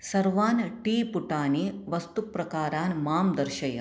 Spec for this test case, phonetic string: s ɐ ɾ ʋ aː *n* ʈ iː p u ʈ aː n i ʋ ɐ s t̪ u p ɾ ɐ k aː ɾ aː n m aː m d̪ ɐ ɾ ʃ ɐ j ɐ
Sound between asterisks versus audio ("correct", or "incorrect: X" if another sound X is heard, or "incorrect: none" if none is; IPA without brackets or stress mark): correct